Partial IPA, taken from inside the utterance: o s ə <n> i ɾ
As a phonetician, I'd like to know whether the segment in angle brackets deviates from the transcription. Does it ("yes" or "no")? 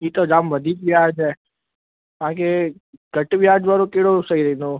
yes